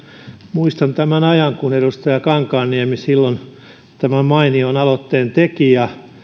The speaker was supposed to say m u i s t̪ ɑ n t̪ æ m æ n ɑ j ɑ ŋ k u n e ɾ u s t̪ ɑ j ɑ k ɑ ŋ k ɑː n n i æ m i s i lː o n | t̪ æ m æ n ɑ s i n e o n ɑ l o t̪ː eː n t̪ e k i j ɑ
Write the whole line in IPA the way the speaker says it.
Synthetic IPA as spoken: m u i s t̪ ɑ n t̪ æ m æ n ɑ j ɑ ŋ k u n e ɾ u s t̪ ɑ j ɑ k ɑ ŋ k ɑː n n i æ m i s i lː o n | t̪ æ m æ m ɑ i n i o n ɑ l o t̪ː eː n t̪ e k i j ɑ